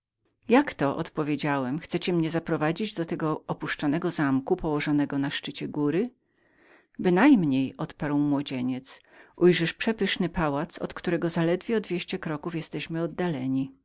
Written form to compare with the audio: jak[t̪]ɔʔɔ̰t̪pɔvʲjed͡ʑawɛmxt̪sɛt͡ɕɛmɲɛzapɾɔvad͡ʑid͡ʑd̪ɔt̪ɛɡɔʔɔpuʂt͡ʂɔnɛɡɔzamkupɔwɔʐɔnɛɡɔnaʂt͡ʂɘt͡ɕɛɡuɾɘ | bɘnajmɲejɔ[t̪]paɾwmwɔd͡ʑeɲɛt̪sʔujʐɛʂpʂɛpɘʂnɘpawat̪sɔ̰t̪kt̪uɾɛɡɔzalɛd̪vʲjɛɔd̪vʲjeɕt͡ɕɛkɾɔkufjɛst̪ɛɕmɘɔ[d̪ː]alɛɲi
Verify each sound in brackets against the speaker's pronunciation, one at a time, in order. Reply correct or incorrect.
correct, correct, correct

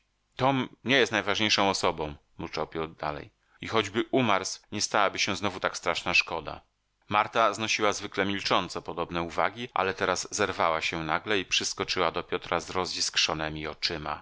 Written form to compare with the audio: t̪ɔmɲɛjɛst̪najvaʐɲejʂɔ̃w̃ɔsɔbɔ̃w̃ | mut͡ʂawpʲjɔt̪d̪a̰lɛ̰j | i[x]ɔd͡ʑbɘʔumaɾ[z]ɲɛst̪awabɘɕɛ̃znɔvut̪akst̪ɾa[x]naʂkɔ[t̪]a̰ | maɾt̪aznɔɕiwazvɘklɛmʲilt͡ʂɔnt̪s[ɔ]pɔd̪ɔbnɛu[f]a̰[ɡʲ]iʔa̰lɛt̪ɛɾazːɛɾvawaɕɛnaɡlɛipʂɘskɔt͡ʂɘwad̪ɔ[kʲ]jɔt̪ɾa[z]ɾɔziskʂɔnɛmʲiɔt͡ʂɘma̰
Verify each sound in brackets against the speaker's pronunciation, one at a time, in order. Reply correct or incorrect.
correct, incorrect, incorrect, incorrect, correct, incorrect, correct, incorrect, correct

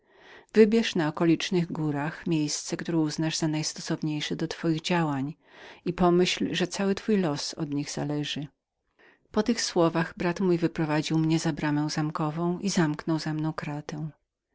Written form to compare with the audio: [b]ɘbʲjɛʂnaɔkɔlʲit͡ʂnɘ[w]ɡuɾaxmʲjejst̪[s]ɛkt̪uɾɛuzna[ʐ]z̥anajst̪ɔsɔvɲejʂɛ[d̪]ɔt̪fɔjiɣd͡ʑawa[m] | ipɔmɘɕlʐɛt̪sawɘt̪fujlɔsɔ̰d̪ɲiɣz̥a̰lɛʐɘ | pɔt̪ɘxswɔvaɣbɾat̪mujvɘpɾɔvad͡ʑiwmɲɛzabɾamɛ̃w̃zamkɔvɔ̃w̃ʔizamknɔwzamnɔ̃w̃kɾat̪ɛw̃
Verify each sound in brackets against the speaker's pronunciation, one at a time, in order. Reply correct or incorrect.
incorrect, incorrect, correct, correct, correct, incorrect

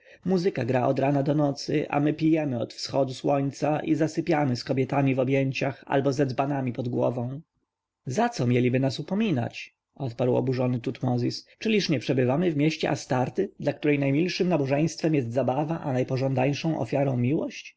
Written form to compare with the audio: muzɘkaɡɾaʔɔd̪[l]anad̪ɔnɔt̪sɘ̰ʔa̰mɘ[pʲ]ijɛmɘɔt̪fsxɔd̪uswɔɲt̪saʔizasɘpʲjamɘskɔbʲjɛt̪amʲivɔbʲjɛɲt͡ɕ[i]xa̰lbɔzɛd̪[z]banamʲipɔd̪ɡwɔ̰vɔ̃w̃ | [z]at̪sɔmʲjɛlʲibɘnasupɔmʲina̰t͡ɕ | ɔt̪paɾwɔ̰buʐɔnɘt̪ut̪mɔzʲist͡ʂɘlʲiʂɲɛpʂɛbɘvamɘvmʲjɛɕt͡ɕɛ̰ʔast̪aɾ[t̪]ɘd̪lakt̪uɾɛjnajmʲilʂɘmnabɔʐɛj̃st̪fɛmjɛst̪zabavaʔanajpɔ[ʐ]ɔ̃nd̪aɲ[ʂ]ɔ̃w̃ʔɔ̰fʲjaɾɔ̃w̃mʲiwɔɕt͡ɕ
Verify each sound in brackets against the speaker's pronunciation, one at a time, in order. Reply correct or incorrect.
incorrect, correct, incorrect, correct, correct, correct, correct, correct

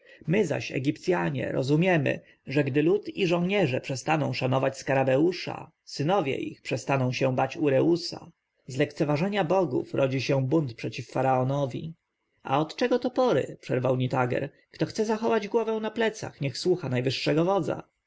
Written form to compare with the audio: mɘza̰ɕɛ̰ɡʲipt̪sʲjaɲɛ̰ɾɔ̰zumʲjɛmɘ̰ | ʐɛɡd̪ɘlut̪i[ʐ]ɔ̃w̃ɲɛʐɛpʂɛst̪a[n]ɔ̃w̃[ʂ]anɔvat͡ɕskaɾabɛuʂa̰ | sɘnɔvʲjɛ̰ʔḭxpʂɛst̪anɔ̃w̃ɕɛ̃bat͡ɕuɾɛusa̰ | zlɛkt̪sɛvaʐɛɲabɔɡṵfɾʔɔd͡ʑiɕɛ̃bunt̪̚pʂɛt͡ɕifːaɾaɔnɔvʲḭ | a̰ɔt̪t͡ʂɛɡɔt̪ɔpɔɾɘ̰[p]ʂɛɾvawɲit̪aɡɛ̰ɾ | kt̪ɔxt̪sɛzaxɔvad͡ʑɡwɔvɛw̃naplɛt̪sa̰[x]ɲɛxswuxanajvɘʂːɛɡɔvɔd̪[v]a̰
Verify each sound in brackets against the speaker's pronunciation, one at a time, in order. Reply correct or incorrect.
correct, correct, correct, correct, correct, incorrect

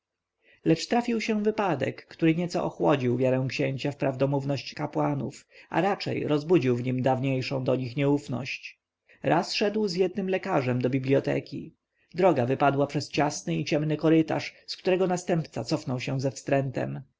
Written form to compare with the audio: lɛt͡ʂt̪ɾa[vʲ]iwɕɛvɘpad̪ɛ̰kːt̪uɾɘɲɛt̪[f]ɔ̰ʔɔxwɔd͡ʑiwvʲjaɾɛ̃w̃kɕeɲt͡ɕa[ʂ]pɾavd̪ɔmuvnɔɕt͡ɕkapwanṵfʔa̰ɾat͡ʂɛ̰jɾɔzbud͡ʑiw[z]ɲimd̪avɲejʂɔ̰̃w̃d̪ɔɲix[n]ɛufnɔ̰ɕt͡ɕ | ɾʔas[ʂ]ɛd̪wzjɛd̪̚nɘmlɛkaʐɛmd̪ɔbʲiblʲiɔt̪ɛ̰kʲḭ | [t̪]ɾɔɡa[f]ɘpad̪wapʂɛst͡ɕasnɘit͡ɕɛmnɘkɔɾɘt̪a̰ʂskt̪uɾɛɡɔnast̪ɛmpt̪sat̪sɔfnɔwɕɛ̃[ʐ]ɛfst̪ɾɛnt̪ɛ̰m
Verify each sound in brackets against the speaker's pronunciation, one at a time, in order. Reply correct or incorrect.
incorrect, incorrect, incorrect, incorrect, incorrect, correct, incorrect, incorrect, incorrect

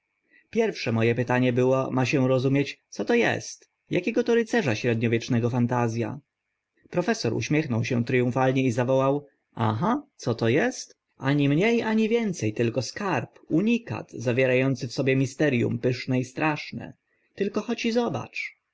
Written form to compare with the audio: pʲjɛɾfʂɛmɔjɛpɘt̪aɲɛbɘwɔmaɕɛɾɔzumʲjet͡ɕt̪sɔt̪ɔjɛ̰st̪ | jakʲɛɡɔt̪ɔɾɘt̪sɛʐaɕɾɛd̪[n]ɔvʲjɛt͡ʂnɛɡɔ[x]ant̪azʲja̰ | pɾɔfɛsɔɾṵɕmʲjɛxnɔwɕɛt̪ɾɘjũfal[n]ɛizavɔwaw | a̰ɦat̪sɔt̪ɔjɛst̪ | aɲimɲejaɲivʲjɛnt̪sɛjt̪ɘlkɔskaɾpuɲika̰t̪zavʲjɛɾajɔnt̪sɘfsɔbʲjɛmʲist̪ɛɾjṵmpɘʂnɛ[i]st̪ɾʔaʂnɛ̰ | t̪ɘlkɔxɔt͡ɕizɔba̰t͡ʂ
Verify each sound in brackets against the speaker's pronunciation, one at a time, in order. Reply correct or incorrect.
incorrect, incorrect, incorrect, correct

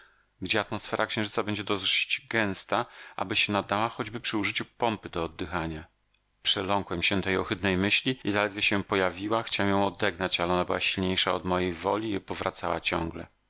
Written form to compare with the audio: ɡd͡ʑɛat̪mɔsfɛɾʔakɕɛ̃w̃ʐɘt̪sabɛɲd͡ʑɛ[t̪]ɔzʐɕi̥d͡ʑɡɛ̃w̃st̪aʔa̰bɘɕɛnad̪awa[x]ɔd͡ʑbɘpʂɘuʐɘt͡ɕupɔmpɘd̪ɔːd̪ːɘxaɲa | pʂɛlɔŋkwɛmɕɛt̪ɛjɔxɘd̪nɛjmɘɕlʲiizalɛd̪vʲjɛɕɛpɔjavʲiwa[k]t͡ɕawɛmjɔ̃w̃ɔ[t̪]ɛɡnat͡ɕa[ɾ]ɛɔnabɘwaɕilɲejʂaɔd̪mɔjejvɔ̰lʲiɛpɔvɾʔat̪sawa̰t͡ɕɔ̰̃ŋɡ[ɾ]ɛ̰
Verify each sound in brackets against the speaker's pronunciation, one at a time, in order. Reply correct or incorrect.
incorrect, correct, incorrect, incorrect, incorrect, incorrect

